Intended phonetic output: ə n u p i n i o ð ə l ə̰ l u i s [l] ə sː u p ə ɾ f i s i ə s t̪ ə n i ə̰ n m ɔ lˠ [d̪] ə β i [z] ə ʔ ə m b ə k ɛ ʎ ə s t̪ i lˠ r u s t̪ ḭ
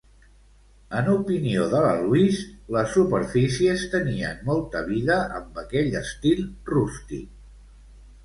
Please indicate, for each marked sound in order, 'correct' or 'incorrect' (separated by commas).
correct, incorrect, incorrect